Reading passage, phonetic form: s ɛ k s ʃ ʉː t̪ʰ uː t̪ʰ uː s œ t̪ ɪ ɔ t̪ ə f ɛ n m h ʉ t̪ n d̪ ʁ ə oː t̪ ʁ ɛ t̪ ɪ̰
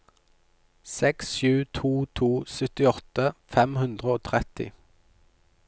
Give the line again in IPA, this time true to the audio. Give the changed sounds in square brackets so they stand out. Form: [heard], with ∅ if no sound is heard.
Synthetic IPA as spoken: s ɛ k s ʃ ʉː t̪ʰ uː t̪ʰ uː s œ t̪ ɪ ɔ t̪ ə f ɛ [∅] m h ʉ [∅] n d̪ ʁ ə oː [t̪ʰ] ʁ ɛ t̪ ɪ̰